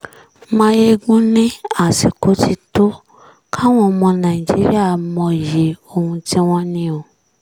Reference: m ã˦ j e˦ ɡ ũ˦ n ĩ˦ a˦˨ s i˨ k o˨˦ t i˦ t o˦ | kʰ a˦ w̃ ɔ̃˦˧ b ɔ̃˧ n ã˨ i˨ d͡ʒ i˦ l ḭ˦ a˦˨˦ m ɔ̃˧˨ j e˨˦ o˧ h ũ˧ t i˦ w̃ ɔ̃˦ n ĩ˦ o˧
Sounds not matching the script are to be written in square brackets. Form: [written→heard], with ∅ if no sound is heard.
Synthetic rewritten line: m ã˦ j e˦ ɡ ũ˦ n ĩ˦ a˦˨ s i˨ k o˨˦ t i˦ t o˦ | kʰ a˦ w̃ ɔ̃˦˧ [b→m] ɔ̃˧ n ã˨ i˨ d͡ʒ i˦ [l→ɾ] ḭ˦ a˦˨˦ m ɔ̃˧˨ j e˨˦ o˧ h ũ˧ t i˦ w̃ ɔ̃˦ n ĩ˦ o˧